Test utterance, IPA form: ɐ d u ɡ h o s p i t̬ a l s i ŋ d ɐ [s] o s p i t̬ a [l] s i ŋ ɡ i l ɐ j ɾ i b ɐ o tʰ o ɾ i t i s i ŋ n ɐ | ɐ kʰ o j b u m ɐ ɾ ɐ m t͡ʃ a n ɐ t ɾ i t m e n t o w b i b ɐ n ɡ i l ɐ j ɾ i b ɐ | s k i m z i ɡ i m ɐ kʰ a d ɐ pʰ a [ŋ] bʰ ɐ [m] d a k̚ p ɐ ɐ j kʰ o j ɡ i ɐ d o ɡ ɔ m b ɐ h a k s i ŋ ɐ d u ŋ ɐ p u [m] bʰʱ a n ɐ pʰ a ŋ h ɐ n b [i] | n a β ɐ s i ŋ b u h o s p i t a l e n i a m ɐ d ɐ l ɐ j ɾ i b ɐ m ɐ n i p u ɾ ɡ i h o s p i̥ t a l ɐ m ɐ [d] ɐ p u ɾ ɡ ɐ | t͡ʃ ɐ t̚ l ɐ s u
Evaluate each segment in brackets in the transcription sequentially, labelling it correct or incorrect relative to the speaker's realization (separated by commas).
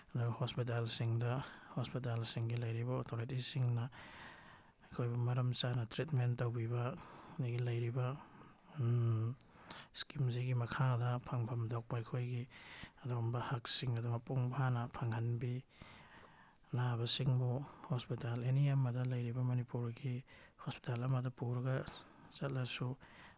incorrect, correct, correct, correct, incorrect, correct, correct